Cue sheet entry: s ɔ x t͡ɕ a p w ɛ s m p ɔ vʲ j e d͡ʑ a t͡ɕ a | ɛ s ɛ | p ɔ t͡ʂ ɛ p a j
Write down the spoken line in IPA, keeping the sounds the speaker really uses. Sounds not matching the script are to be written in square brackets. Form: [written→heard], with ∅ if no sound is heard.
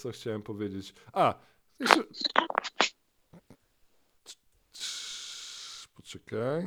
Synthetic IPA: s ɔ x t͡ɕ a [p→∅] w ɛ [s→∅] m p ɔ vʲ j e d͡ʑ [a→e] t͡ɕ a | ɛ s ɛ | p ɔ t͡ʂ ɛ [p→k] a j